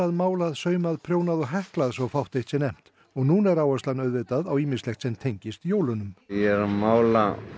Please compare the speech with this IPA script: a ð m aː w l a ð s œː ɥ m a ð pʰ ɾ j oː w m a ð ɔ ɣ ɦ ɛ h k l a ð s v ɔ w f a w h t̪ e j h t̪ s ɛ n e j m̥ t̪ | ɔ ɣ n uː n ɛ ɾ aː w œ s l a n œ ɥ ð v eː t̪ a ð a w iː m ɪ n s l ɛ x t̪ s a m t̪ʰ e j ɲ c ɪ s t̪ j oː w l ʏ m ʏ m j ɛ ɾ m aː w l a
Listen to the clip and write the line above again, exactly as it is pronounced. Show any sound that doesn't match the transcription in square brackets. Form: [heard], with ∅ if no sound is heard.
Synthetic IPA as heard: a ð m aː w l a ð s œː ɥ m a ð pʰ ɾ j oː w [n] a ð ɔ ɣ ɦ ɛ h k l a ð s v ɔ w f a w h t̪ e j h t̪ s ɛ n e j m̥ t̪ | ɔ ɣ n uː n ɛ ɾ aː w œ s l a n œ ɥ ð v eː t̪ a ð a w iː m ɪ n s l ɛ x t̪ s [ɛ] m t̪ʰ e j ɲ c ɪ s t̪ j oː w l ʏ [n] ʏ m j ɛ ɾ m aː w l a